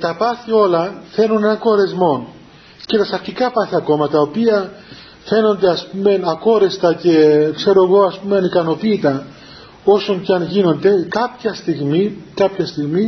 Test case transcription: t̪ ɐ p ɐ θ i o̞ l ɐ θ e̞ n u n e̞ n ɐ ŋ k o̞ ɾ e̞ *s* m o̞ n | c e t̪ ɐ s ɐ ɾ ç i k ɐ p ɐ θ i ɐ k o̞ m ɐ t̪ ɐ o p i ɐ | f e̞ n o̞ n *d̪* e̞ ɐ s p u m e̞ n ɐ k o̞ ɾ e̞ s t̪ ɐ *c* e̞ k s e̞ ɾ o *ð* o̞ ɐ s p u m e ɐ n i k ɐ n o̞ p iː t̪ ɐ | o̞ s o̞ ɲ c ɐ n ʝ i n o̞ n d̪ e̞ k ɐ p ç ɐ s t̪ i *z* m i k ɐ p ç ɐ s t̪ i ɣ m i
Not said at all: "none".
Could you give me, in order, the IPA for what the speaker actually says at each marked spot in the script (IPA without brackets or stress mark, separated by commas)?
z, d̪, c, ɣ, ɣ